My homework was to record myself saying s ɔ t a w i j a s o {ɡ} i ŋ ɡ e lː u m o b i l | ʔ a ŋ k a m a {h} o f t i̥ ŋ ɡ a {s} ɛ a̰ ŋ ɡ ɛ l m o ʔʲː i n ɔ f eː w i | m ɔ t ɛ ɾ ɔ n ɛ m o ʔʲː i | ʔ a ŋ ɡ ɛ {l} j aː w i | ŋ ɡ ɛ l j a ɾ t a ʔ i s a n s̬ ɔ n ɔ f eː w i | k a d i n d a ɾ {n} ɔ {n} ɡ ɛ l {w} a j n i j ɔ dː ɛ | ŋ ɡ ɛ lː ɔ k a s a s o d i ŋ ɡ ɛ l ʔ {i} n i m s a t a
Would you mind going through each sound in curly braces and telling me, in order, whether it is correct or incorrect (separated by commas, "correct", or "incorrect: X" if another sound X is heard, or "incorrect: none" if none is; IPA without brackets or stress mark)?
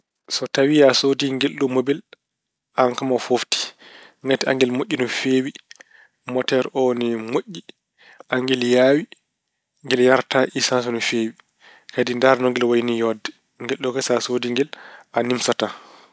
incorrect: d, incorrect: f, incorrect: t, correct, correct, incorrect: ŋ, correct, incorrect: a